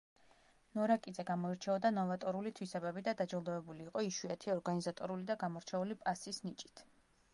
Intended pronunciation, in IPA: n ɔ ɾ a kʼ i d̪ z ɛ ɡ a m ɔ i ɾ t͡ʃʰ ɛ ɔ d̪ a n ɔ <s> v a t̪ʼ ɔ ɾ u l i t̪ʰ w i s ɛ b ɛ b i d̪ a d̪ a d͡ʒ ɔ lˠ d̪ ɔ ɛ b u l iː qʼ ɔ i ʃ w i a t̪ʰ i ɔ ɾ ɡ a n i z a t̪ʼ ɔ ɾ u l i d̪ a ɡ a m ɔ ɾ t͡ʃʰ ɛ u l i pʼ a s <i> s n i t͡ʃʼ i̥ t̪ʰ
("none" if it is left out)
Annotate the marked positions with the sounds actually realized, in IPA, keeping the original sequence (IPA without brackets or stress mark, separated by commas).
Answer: none, i